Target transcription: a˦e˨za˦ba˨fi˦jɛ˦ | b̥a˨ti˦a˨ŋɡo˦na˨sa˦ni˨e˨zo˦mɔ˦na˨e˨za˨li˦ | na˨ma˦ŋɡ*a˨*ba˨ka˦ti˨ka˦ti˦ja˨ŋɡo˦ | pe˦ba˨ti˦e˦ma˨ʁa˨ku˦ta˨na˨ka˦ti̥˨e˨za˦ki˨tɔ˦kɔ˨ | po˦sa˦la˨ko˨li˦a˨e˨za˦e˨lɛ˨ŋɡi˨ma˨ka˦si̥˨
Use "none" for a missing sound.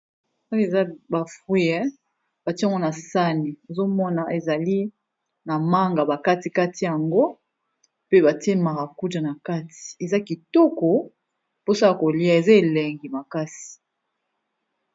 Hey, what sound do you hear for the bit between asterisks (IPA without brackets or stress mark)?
a˨